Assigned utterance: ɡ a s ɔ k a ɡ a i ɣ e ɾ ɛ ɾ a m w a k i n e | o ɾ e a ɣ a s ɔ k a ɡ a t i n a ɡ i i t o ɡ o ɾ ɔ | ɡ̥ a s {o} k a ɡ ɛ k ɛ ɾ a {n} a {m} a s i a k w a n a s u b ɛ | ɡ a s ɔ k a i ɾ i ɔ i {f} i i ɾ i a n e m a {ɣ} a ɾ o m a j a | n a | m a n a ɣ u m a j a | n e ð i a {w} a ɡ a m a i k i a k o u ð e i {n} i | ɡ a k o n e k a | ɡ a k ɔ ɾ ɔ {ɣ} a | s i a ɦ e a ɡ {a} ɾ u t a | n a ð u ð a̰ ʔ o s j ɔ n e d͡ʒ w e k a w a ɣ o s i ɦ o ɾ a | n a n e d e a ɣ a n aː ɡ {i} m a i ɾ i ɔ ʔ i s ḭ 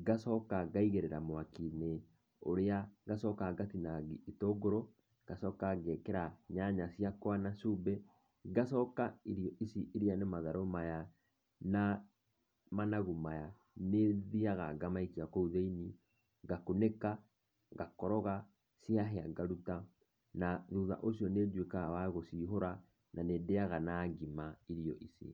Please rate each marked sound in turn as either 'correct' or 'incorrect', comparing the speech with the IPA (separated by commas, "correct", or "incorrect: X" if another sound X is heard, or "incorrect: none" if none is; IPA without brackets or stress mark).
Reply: incorrect: ɔ, incorrect: ɲ, incorrect: ɲ, incorrect: s, incorrect: ð, incorrect: ɣ, correct, correct, correct, correct